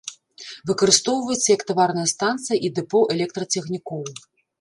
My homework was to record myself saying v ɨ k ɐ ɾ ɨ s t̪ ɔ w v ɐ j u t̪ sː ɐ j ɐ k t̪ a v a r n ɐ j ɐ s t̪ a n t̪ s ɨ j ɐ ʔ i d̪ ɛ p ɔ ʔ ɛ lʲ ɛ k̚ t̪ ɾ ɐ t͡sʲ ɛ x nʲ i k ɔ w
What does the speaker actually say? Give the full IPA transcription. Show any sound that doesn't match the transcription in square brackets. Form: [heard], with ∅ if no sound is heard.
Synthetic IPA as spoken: v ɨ k ɐ ɾ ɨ s t̪ ɔ w v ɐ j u t̪ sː ɐ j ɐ k t̪ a v a r n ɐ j ɐ s t̪ a n t̪ s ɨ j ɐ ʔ i d̪ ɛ p ɔ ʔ ɛ lʲ ɛ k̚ t̪ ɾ ɐ t͡sʲ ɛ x nʲ i k ɔ w